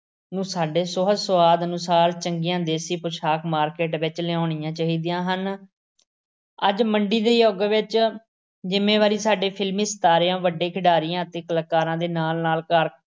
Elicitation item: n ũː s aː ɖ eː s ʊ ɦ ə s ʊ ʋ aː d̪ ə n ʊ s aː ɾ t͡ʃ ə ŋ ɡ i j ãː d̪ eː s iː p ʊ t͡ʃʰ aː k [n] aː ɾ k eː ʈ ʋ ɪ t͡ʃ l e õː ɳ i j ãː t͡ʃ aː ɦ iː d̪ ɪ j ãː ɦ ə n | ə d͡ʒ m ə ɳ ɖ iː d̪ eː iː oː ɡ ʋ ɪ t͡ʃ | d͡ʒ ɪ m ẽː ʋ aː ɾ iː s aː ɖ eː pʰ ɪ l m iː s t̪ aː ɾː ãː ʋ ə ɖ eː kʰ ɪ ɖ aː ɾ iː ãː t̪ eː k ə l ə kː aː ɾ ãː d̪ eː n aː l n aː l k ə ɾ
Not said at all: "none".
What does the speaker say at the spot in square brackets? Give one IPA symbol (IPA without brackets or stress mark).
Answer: m